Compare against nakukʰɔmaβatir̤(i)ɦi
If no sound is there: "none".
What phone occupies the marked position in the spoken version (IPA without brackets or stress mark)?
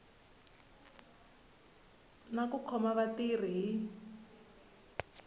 i